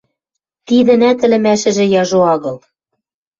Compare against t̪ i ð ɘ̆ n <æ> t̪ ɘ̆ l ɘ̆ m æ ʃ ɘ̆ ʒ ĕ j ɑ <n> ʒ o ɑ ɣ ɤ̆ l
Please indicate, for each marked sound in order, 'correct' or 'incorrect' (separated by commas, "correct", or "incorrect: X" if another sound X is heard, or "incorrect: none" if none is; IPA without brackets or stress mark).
correct, incorrect: none